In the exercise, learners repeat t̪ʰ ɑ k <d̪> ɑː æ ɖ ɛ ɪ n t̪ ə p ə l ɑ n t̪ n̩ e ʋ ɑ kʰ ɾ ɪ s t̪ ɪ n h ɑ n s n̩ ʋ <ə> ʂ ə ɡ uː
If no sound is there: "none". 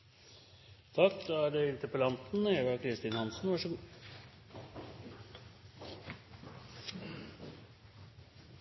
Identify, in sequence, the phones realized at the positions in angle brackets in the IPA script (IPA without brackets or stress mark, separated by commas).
d̪, ɑ